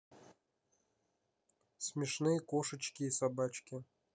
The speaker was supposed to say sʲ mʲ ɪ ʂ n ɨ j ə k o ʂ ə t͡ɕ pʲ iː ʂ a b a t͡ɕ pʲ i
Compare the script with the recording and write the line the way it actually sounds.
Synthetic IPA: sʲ mʲ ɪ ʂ n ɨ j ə k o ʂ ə t͡ɕ kʲ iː s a b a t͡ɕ kʲ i